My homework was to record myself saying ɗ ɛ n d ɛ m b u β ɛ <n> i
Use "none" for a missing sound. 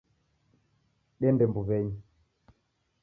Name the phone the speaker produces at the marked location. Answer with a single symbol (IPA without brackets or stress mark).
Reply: ɲ